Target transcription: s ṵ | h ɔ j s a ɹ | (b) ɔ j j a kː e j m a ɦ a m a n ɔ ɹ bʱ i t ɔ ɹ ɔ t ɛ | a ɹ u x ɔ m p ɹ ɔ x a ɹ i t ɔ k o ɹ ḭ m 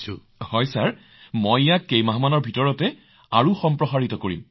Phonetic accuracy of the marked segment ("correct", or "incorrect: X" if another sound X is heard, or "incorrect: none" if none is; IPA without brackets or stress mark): incorrect: m